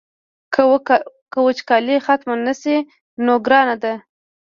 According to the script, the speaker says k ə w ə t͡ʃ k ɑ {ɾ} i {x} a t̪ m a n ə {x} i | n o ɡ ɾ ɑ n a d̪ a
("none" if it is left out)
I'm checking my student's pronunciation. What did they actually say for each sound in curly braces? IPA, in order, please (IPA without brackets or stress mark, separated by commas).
l, x, s